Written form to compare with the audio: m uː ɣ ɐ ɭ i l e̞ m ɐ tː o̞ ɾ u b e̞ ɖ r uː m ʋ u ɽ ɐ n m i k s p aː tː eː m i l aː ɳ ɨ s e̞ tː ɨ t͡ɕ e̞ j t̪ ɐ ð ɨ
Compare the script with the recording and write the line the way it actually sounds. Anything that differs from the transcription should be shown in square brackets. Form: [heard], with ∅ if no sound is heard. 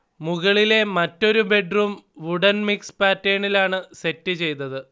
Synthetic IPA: m [u] ɣ ɐ ɭ i l e̞ m ɐ tː o̞ ɾ u b e̞ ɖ r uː m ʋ u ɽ ɐ n m i k s p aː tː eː [ɳ] i l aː ɳ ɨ s e̞ tː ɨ t͡ɕ e̞ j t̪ ɐ ð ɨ